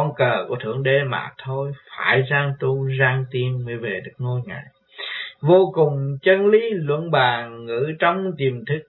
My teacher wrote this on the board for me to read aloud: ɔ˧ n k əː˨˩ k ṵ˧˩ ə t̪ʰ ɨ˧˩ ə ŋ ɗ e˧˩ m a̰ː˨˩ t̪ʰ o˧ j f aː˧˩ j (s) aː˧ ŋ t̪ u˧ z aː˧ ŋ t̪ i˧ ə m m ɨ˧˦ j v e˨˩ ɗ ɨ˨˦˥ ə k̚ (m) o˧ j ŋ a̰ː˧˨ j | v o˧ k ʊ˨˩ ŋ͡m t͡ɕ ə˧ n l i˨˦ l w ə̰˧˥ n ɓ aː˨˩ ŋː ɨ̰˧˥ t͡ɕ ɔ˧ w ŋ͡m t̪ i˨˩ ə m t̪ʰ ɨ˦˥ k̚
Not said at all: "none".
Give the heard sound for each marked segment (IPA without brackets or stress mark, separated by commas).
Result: z, ŋ